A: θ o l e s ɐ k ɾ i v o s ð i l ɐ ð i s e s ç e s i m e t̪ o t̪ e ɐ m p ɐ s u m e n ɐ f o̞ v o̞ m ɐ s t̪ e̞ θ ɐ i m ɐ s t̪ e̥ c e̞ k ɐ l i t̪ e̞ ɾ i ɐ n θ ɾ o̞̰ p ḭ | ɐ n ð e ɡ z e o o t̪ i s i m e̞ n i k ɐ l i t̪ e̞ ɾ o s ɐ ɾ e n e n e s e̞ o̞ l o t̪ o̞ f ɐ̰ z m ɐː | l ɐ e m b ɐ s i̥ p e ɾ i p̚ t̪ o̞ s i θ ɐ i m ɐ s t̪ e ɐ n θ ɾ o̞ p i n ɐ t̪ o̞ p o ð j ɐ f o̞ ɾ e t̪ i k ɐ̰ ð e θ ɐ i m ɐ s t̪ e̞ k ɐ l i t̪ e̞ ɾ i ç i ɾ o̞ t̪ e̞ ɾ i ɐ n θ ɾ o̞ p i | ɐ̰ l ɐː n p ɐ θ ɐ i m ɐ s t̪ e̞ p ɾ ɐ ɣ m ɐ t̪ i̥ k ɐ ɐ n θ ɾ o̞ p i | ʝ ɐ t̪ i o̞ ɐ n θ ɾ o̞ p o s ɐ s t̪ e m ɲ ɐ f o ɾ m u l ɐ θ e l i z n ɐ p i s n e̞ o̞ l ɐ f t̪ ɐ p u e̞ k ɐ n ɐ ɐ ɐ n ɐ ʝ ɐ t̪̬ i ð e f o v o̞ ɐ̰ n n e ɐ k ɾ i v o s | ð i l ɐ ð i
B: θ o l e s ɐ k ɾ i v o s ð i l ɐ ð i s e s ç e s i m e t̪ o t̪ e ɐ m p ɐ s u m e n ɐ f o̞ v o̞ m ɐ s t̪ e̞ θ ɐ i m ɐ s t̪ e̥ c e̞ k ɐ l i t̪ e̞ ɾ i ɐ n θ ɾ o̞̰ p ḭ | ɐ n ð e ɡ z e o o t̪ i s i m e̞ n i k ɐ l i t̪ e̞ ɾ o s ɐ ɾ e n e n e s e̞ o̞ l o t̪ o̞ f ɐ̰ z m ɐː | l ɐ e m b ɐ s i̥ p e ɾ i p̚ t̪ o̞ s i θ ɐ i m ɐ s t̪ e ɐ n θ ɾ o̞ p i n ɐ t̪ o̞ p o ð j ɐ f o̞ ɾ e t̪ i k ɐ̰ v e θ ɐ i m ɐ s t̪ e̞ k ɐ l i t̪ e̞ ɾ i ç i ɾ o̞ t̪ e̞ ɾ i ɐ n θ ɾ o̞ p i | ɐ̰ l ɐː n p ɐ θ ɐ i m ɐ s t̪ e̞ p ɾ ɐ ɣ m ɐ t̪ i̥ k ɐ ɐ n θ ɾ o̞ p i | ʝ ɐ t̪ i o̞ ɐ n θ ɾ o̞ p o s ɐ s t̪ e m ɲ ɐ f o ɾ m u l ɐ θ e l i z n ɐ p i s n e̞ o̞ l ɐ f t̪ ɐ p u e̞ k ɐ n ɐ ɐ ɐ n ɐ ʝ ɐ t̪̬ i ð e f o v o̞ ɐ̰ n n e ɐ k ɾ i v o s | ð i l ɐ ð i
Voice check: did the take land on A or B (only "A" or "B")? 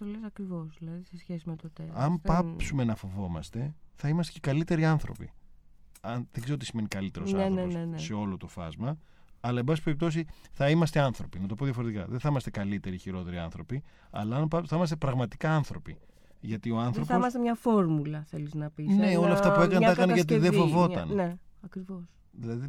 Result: A